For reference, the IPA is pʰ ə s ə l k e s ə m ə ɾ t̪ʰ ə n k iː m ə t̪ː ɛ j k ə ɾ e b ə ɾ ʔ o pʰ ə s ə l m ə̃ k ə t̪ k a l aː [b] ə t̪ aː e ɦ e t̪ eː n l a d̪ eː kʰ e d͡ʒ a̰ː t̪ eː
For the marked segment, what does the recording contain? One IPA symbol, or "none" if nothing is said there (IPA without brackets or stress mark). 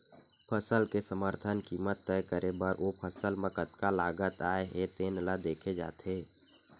ɡ